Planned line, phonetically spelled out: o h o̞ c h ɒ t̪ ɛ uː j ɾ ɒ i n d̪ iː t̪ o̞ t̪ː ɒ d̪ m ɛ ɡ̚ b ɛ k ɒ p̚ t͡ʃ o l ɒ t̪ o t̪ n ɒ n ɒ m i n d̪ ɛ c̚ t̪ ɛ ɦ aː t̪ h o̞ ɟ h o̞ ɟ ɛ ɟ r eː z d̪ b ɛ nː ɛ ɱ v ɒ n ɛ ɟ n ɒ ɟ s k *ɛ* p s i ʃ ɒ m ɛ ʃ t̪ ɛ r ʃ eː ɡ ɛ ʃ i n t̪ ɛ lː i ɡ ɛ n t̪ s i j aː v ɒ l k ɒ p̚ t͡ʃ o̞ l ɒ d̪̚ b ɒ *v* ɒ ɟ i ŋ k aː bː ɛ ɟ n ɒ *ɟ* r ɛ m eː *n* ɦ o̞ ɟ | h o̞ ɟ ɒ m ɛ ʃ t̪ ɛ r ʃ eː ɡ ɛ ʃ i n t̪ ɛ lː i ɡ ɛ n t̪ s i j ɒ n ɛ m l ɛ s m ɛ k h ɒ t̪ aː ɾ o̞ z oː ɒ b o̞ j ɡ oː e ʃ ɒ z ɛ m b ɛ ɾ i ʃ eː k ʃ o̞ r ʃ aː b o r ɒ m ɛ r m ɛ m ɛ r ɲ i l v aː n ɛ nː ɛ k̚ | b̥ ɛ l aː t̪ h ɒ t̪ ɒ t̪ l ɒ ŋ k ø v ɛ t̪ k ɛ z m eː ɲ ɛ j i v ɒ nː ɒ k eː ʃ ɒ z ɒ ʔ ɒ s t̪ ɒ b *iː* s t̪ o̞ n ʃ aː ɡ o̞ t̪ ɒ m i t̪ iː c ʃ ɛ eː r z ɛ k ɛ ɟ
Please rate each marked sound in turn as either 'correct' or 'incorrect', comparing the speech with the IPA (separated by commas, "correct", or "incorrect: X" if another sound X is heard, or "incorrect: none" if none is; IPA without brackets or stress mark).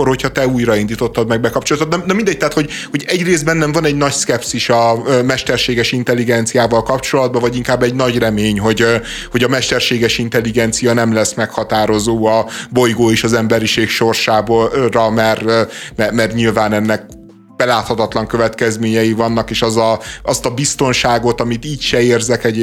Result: correct, correct, correct, incorrect: ɲ, incorrect: i